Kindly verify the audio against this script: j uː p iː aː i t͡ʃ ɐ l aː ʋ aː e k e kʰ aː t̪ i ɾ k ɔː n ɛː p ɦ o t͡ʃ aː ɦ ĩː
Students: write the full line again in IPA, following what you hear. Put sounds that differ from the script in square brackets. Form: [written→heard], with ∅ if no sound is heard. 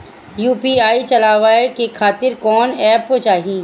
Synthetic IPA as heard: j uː p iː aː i t͡ʃ ɐ l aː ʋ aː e k e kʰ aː t̪ [i→ɪ] ɾ k ɔː n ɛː p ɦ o t͡ʃ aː ɦ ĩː